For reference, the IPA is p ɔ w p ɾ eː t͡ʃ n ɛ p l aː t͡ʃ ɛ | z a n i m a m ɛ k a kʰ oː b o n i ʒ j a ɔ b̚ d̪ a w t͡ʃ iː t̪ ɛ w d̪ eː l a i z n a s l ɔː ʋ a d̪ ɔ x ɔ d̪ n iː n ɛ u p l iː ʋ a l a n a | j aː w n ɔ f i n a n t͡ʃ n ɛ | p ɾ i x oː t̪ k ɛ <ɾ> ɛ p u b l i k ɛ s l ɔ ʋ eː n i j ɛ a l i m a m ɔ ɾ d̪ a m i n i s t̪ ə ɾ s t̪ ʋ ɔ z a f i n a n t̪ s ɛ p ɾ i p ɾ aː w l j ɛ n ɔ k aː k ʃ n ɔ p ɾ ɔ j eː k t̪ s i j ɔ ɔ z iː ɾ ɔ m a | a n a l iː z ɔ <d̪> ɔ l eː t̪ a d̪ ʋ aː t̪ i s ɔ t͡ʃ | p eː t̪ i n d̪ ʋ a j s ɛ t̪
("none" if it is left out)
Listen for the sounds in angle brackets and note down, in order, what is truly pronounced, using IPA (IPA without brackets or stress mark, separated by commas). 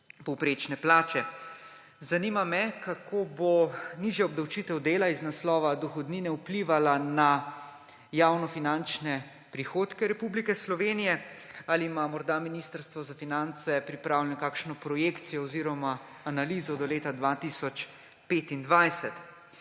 ɾ, d̪